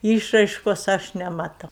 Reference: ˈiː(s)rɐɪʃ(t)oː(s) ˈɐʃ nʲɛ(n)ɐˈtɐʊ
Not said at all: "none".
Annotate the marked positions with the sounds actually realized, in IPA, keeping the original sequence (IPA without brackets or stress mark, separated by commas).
ʃ, k, s, m